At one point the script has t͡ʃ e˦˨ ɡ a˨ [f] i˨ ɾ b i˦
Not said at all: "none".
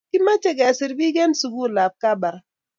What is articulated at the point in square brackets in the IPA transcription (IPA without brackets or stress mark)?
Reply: s